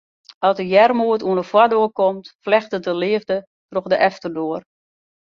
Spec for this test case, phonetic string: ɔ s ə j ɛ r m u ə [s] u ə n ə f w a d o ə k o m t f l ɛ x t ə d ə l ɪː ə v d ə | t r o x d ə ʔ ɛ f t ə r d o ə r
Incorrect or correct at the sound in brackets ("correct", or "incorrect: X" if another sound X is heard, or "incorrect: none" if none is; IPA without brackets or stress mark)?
incorrect: t